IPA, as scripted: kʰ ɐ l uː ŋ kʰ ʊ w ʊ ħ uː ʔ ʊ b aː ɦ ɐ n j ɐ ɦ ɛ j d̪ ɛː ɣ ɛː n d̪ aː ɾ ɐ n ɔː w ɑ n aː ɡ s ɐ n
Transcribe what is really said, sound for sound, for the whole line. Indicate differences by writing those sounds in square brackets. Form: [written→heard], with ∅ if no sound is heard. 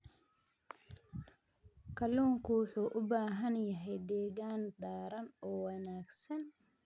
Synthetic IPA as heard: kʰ ɐ l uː ŋ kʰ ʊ w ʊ ħ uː ʔ ʊ b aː ɦ ɐ n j ɐ ɦ ɛ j d̪ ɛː ɣ [ɛː→aː] n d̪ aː ɾ ɐ n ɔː w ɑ n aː ɡ s ɐ n